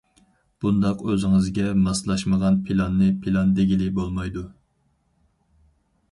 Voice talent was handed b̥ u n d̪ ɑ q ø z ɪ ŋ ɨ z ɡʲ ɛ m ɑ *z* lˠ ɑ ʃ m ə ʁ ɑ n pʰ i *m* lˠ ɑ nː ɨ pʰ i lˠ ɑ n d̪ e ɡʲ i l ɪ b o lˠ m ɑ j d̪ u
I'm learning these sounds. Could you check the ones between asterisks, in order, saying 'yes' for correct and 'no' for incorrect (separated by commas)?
no, no